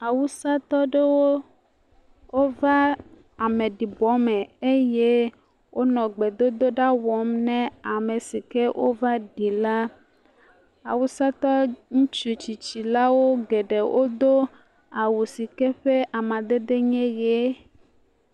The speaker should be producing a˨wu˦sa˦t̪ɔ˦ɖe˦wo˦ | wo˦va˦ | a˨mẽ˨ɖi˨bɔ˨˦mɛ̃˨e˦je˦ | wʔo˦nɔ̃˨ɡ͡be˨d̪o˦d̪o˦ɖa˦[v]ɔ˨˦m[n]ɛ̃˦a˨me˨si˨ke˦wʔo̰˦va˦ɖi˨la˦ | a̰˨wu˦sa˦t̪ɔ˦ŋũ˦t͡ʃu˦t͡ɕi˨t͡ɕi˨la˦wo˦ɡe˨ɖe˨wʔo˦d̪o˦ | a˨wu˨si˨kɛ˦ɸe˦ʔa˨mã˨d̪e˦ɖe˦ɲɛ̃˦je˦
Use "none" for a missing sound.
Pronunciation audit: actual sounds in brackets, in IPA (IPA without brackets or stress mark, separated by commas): w, n